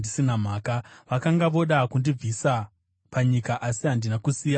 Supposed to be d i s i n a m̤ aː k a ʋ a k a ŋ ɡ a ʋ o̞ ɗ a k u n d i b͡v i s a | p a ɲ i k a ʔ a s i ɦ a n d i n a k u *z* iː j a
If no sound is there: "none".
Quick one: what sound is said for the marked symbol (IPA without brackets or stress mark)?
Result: s